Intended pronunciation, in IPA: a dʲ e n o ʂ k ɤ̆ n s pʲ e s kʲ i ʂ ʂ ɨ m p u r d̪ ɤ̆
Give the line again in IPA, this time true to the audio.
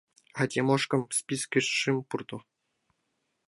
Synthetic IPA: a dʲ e m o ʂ k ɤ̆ m s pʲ i s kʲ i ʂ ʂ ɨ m p u r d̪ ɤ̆